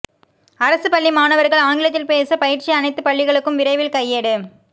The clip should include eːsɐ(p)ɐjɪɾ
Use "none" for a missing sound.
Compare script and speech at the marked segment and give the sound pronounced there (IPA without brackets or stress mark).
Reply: p